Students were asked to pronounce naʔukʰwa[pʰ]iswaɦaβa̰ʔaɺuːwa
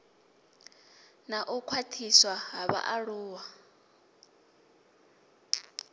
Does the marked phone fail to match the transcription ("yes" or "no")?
yes